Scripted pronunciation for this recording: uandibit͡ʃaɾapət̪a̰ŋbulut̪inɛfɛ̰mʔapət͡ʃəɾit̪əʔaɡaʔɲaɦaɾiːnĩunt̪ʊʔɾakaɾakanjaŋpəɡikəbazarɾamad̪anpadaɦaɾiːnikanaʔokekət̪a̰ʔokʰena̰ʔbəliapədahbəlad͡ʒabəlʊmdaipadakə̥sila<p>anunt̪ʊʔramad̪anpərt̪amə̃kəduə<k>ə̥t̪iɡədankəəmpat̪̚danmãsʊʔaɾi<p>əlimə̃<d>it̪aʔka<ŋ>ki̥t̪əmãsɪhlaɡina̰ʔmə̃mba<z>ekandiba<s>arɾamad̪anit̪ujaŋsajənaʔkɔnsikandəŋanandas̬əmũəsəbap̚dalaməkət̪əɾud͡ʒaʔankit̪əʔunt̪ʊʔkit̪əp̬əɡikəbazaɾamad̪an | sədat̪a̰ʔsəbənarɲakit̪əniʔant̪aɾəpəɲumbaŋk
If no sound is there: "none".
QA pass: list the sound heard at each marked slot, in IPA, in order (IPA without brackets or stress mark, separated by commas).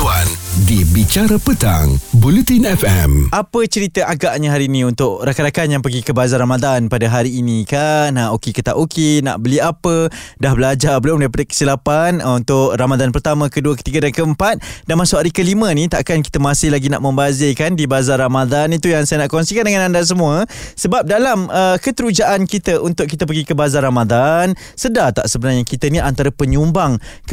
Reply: p, k, k, n, n, z, z